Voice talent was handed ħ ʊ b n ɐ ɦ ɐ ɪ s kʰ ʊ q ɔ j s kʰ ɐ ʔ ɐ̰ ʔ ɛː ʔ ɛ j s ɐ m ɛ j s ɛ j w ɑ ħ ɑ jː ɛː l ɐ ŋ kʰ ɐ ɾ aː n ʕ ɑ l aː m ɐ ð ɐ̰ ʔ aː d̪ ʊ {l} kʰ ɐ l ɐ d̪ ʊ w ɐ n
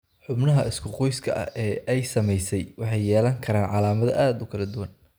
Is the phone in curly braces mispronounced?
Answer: yes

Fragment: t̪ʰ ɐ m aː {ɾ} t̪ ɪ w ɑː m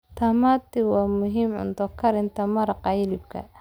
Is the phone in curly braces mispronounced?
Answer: yes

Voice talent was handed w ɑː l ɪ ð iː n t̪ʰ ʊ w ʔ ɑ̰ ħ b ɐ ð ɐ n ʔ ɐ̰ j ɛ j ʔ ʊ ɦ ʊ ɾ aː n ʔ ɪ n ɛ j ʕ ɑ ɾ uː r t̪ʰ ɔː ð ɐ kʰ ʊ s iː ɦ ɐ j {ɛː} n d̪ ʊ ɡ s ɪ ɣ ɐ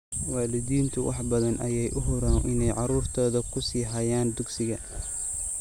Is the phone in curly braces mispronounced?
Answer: yes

